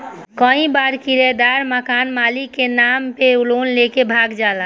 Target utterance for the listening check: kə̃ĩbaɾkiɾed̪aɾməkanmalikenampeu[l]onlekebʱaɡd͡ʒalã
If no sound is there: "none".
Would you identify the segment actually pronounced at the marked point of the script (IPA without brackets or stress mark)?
l